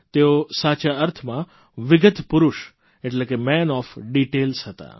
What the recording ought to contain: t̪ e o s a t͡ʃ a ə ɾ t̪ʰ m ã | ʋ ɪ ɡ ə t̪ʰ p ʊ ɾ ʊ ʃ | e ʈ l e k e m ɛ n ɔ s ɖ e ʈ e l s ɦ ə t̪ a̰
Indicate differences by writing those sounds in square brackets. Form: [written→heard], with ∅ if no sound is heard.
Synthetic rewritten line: t̪ e o s a t͡ʃ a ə ɾ t̪ʰ m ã | ʋ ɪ ɡ ə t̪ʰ p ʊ ɾ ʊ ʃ | e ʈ l e k e m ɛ n ɔ [s→f] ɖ [e→i] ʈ e l s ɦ ə t̪ a̰